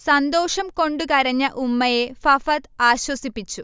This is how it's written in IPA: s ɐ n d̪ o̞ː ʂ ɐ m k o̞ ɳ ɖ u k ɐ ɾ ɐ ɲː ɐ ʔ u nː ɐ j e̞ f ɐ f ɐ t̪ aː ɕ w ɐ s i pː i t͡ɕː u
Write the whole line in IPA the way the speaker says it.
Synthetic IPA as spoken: s ɐ n d̪ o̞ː ʂ ɐ m k o̞ ɳ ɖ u k ɐ ɾ ɐ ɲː ɐ ʔ u mː ɐ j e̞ f ɐ f ɐ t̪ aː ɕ w ɐ s i pː i t͡ɕː u